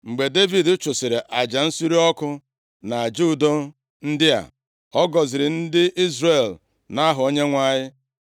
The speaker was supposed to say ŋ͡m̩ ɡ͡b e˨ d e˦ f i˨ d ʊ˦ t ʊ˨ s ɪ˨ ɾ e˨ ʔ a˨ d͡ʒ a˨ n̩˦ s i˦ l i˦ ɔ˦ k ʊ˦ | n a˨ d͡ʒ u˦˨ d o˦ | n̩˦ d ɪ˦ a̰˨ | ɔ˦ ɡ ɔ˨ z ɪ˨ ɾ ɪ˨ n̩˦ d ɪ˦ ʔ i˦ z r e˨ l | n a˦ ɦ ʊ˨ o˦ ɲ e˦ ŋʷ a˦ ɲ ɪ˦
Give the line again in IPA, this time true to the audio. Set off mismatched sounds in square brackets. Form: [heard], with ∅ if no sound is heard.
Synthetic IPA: ŋ͡m̩ ɡ͡b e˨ d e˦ [v] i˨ d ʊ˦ [t͡ʃ] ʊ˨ s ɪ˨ ɾ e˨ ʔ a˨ d͡ʒ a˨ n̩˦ s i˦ [ɾ] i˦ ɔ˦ k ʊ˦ | n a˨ d͡ʒ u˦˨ d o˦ | n̩˦ d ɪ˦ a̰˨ | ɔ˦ ɡ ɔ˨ z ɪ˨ ɾ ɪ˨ n̩˦ d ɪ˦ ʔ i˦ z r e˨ l | n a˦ ɦ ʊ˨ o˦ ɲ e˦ ŋʷ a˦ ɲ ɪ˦